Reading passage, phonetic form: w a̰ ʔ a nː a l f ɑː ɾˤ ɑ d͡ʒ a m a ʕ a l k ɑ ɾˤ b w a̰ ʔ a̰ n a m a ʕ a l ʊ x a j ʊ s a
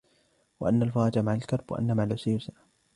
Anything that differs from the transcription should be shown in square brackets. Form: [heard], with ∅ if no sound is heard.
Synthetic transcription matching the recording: w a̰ ʔ a nː a l f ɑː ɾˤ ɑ d͡ʒ a m a ʕ a l k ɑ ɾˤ b w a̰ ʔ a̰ [nː] a m a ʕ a l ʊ [s] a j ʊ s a